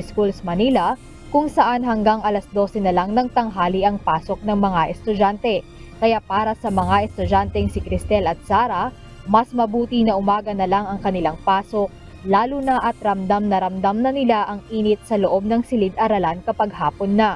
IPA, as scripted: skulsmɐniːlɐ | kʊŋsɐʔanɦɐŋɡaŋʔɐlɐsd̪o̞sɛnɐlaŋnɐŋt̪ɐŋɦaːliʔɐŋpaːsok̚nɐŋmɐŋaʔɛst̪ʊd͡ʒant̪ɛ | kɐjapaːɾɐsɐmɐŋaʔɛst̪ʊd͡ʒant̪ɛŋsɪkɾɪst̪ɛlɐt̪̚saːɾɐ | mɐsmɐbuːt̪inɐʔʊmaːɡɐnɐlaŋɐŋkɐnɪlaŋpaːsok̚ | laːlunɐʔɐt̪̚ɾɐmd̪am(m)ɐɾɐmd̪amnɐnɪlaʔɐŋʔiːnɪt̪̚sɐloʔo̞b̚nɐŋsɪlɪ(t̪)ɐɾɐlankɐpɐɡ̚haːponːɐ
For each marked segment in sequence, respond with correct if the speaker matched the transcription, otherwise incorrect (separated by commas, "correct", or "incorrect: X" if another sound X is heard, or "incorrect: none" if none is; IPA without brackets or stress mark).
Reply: incorrect: n, incorrect: d̪